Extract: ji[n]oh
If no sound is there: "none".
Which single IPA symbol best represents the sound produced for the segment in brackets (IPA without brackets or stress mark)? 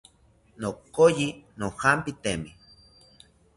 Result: n